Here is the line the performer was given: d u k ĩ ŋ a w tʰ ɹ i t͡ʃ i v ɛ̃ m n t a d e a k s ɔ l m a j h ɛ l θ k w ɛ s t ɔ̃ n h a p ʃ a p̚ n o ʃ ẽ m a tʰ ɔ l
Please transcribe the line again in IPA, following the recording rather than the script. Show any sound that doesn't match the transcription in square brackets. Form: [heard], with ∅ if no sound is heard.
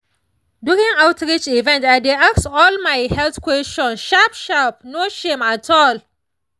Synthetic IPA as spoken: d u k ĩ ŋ a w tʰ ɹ i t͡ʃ i v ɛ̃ [∅] n t a d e a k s ɔ l m a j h ɛ l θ k w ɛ s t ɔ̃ n [ʃ] a p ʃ a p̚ n o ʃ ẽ m a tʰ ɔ l

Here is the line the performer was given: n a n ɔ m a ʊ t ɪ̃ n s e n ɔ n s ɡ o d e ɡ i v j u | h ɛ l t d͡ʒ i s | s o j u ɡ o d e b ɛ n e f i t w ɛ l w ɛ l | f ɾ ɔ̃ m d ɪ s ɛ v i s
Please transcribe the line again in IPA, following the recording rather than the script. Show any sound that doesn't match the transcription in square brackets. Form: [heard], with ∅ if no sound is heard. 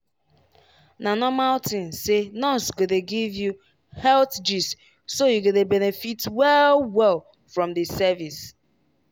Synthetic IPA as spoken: n a n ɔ m a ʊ t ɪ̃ n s e n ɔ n s ɡ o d e ɡ i v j u | h ɛ l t d͡ʒ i s | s o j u ɡ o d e b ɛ n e f i t w ɛ l w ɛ l | f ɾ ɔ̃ m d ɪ s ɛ v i s

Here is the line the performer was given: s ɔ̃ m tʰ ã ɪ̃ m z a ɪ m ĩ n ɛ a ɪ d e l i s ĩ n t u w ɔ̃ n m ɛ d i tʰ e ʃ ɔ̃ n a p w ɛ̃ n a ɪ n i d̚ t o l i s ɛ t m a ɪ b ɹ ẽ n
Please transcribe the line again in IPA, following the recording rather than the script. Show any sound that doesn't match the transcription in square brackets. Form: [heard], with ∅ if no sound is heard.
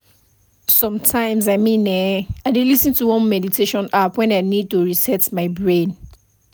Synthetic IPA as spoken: s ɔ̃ m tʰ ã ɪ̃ m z a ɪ m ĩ n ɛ a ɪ d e l i s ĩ n t u w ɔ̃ n m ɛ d i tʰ e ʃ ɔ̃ n a p w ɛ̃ n a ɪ n i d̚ t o [ɹ] i s ɛ t m a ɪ b ɹ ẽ n

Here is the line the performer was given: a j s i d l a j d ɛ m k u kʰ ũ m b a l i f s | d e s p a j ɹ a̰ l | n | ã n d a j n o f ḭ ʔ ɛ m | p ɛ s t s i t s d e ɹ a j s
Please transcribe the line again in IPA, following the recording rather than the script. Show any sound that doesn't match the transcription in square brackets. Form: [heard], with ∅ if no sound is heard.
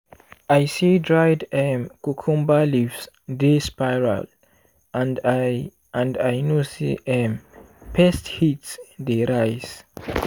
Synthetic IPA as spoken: a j s i d [ɹ] a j d ɛ m k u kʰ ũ m b a l i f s | d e s p a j ɹ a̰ l | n | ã n d a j n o [s] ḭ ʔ ɛ m | p ɛ s t [h] i t s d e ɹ a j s

